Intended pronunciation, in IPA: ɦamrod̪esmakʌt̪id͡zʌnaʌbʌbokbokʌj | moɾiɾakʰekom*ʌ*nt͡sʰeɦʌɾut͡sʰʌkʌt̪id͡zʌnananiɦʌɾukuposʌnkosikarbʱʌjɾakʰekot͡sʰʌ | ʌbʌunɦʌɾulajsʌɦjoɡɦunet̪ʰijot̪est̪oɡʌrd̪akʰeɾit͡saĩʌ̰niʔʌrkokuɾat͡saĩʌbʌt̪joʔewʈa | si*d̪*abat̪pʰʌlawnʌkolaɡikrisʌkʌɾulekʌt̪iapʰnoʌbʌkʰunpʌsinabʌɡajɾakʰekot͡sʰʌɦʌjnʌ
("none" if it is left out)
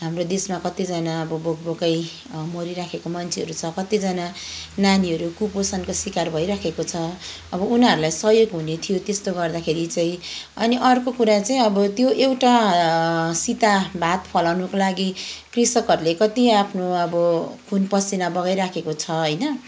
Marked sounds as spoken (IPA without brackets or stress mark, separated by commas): ʌ, t̪